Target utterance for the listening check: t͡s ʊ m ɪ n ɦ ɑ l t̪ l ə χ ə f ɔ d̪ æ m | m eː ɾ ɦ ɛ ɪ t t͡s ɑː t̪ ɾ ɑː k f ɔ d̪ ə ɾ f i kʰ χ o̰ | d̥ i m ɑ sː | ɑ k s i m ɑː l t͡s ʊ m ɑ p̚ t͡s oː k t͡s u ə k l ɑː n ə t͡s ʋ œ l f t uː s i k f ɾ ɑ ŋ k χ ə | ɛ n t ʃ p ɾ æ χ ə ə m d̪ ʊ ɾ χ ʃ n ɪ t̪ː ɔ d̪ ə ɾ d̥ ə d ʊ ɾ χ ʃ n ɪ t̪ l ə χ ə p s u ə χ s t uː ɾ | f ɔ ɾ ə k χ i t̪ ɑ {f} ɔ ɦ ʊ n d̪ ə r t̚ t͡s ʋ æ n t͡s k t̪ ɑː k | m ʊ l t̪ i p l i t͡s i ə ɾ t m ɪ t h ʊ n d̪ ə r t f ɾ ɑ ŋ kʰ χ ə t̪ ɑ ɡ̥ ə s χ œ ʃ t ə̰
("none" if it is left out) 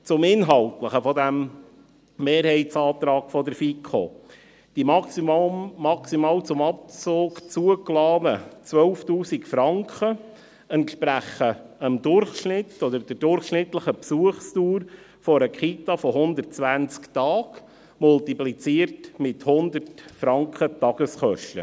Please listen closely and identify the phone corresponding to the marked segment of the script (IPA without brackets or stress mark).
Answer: f